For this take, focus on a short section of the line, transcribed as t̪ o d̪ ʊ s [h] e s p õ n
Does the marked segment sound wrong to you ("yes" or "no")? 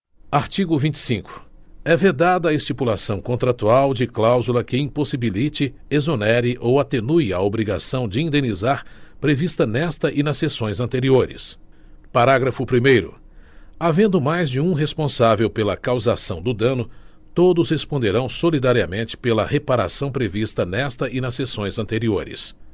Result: no